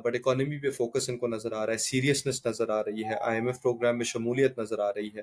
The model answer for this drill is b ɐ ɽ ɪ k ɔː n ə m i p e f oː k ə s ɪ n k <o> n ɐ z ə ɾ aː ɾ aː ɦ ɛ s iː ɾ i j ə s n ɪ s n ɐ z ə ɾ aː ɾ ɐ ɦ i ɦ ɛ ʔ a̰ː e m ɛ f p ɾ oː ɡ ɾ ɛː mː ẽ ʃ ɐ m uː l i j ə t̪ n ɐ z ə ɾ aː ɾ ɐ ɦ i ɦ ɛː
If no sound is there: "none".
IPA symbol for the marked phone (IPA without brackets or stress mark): o